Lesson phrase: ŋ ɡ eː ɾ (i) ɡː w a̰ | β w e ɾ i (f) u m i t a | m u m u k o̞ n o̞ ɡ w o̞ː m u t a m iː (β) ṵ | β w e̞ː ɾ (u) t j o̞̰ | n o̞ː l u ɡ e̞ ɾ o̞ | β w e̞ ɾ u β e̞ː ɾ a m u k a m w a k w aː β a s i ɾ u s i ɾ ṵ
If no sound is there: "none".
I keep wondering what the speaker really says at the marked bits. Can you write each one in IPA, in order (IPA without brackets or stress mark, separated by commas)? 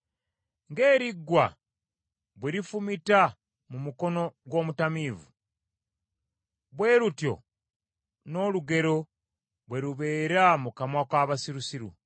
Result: i, f, v, u